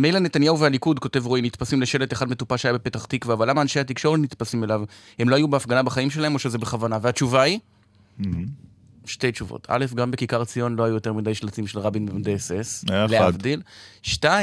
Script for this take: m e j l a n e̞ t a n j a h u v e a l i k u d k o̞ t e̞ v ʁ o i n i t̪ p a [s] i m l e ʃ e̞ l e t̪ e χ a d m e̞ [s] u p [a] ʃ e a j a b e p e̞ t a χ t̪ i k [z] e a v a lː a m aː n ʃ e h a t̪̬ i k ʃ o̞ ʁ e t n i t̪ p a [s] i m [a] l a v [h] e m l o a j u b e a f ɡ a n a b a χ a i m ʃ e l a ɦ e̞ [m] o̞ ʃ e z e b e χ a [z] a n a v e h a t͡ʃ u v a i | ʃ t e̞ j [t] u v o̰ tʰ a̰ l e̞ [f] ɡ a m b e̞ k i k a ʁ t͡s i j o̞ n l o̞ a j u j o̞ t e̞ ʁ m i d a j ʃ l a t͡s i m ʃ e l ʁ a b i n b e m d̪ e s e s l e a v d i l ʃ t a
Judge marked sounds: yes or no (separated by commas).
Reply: yes, no, yes, no, yes, no, yes, yes, no, no, yes